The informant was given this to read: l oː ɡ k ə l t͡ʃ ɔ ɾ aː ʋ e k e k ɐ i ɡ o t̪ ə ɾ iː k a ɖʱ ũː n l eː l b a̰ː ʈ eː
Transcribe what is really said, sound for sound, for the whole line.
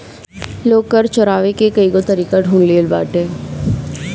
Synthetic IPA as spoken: l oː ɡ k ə ɾ t͡ʃ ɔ ɾ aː ʋ e k e k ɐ i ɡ o t̪ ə ɾ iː k a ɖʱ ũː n l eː l b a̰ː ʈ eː

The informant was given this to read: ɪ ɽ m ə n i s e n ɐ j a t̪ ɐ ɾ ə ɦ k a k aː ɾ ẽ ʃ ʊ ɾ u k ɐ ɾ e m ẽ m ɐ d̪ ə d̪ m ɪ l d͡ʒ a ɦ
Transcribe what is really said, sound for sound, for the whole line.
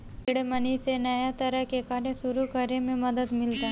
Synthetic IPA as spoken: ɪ ɽ m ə n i s e n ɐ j a t̪ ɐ ɾ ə ɦ k e k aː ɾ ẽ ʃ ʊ ɾ u k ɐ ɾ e m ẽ m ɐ d̪ ə d̪ m ɪ l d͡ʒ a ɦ

